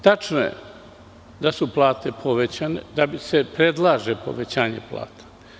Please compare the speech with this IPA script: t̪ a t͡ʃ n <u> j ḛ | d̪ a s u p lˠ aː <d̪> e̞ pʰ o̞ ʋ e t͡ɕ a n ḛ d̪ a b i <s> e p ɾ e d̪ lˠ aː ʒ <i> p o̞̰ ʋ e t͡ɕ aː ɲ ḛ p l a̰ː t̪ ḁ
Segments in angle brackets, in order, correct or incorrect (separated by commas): incorrect, incorrect, correct, incorrect